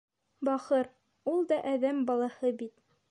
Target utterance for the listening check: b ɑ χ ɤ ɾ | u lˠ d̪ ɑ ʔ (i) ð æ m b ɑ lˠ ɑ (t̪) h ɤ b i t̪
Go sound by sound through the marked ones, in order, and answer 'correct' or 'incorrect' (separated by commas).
incorrect, incorrect